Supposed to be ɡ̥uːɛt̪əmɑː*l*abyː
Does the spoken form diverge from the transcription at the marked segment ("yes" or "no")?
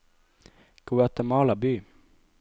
no